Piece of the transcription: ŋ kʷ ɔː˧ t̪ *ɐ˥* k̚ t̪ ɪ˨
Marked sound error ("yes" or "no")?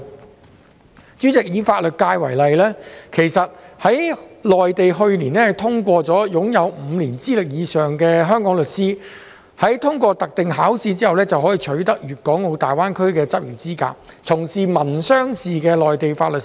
yes